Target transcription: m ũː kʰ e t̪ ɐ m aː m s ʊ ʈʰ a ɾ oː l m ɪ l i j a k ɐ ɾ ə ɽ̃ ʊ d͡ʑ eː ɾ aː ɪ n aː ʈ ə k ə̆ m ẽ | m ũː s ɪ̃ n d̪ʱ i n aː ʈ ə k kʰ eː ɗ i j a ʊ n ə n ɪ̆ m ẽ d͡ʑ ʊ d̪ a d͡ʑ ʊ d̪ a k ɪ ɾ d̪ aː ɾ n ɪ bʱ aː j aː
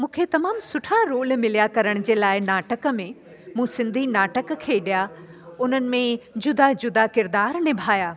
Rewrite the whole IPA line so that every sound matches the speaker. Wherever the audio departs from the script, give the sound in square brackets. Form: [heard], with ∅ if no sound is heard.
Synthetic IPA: m ũː kʰ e t̪ ɐ m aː m s ʊ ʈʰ a ɾ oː l m ɪ l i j a k ɐ ɾ ə ɽ̃ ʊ d͡ʑ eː [l] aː ɪ n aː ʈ ə k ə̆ m ẽ | m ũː s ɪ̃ n d̪ʱ i n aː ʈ ə k kʰ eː ɗ i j a ʊ n ə n ɪ̆ m ẽ d͡ʑ ʊ d̪ a d͡ʑ ʊ d̪ a k ɪ ɾ d̪ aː ɾ n ɪ bʱ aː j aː